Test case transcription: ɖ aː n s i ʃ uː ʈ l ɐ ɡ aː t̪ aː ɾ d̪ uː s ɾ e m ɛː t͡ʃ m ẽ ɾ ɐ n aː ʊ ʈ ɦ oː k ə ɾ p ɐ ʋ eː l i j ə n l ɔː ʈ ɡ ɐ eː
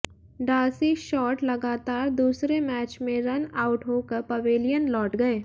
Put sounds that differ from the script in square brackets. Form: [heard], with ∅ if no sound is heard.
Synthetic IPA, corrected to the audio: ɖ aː [∅] s i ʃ [ɔː] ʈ l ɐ ɡ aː t̪ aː ɾ d̪ uː s ɾ e m ɛː t͡ʃ m ẽ ɾ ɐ n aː ʊ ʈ ɦ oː k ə ɾ p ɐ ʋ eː l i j ə n l ɔː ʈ ɡ ɐ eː